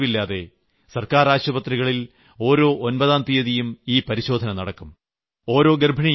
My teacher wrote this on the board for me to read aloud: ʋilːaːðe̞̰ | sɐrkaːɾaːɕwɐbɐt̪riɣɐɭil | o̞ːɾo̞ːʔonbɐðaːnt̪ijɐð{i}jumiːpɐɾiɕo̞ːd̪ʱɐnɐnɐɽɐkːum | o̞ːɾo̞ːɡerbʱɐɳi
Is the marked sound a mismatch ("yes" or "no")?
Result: no